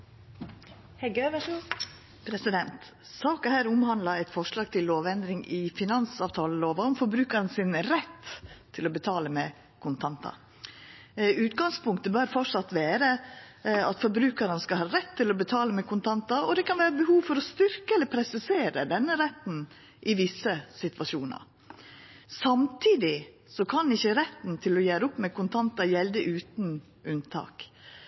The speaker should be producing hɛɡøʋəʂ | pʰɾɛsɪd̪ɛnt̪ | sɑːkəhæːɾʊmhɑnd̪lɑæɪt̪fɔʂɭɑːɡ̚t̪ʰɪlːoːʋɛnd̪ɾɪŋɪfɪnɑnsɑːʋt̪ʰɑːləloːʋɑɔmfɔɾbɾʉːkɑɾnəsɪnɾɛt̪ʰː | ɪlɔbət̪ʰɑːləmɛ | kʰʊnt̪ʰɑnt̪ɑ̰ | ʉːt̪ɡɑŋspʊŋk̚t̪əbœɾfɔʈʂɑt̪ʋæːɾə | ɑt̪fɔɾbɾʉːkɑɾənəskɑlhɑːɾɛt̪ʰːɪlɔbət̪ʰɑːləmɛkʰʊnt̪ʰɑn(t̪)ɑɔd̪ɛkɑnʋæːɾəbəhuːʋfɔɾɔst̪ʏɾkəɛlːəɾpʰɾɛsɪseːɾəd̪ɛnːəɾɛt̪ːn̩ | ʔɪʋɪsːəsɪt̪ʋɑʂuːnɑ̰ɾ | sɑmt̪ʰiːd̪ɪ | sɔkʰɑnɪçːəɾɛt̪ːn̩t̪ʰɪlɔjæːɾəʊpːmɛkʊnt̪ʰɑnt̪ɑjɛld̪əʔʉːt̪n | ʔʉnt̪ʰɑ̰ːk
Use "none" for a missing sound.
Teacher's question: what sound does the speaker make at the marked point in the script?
t̪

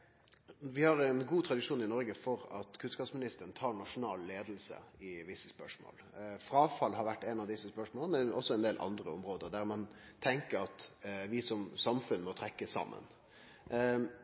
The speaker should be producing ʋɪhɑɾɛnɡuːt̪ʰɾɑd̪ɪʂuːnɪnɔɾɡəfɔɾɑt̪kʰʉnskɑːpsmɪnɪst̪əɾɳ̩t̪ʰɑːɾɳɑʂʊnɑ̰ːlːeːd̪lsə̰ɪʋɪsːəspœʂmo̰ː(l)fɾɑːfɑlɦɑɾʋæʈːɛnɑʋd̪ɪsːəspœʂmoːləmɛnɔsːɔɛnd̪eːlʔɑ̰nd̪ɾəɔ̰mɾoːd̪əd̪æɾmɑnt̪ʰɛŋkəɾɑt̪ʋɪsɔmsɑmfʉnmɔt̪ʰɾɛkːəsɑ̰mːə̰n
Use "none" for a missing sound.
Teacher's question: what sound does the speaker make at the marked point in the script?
l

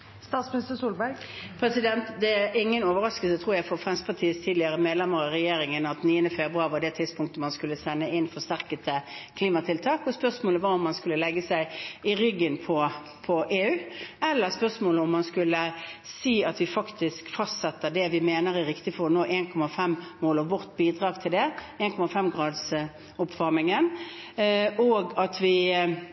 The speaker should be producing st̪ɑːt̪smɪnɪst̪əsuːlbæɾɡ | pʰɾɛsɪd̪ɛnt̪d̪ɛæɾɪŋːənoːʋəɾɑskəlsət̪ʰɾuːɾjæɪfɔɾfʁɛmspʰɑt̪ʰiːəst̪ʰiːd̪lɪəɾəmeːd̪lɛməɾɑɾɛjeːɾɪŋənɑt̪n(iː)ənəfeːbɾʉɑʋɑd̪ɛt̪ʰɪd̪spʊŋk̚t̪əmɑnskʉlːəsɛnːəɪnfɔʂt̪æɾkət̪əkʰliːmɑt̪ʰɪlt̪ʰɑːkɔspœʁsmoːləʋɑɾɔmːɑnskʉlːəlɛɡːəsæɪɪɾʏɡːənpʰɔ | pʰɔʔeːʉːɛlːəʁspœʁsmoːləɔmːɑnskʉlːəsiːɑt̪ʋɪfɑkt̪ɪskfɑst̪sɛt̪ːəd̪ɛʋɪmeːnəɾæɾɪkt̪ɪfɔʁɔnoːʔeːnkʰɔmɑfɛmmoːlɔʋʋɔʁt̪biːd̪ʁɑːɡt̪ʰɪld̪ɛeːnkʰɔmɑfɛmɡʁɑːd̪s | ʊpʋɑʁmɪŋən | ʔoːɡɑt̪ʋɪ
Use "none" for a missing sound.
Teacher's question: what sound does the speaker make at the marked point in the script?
iː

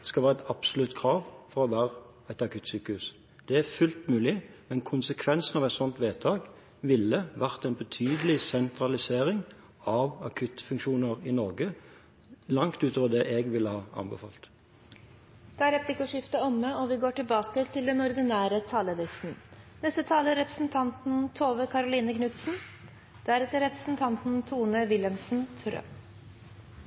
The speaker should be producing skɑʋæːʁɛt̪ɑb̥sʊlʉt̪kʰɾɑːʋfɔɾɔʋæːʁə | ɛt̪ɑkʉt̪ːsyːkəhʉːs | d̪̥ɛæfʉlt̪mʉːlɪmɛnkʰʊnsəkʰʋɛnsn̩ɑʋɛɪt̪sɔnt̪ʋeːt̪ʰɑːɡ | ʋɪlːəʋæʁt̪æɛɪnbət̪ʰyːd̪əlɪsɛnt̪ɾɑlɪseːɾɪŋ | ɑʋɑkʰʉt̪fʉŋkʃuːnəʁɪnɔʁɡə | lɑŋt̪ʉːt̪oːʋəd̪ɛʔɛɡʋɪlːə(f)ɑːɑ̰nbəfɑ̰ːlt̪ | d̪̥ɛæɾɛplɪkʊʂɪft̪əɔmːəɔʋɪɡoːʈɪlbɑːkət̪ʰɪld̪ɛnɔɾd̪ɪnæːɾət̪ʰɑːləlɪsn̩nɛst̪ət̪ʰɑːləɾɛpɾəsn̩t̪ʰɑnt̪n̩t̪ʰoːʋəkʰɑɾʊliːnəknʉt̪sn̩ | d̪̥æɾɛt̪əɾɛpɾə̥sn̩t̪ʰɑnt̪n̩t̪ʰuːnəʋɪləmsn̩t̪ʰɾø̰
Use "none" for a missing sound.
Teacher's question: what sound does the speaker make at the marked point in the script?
h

